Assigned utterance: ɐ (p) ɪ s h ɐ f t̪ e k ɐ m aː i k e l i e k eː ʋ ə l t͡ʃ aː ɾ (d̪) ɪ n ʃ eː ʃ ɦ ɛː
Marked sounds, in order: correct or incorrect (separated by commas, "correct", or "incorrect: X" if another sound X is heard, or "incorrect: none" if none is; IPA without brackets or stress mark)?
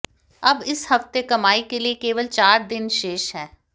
incorrect: b, correct